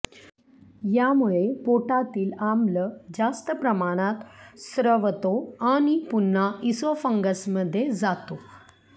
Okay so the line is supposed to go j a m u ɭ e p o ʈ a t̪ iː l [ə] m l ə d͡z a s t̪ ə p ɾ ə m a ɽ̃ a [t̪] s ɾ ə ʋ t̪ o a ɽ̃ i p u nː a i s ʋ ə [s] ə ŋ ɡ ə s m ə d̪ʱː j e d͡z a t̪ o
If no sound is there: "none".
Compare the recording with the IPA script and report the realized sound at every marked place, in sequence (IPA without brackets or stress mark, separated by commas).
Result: a, t̪, f